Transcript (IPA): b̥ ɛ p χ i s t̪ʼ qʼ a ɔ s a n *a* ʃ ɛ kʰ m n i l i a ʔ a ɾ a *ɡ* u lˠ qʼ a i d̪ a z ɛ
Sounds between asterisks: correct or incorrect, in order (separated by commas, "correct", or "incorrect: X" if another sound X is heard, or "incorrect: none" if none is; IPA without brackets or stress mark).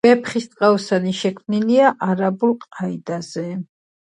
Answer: incorrect: i, incorrect: b